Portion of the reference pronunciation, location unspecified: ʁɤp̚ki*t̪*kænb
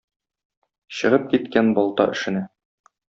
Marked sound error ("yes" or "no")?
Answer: no